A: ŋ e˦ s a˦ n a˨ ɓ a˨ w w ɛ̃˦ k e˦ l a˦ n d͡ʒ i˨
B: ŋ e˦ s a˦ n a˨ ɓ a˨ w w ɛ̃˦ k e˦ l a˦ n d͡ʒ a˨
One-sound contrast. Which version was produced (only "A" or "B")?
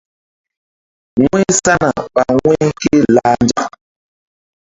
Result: B